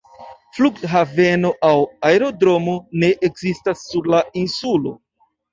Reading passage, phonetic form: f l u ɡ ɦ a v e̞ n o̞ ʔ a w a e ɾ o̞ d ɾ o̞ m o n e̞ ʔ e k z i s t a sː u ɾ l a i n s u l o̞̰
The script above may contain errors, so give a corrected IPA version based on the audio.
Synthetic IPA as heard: f l u ɡ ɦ a v e̞ n o̞ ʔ a w a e ɾ o̞ d ɾ o̞ m o n e̞ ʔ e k z i s t a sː u ɾ l a i n s u l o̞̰